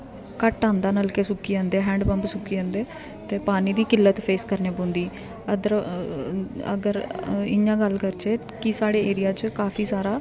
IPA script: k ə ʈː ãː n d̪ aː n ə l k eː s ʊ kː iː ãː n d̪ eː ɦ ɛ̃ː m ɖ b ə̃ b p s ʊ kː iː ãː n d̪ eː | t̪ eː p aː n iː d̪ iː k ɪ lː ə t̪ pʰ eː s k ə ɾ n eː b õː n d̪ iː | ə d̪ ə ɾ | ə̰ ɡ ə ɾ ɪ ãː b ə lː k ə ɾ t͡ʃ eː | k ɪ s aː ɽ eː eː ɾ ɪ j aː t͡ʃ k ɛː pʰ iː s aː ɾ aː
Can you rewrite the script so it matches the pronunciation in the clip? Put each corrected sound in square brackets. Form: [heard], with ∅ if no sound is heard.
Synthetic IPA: k ə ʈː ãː n d̪ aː n ə l k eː s ʊ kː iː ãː n d̪ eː ɦ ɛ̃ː [ɳ] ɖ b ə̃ [m] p s ʊ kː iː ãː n d̪ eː | t̪ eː p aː n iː d̪ iː k ɪ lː ə t̪ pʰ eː s k ə ɾ n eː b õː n d̪ iː | ə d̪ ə ɾ | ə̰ ɡ ə ɾ ɪ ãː [ɡ] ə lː k ə ɾ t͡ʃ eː | k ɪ s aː ɽ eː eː ɾ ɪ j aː t͡ʃ k [aː] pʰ iː s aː ɾ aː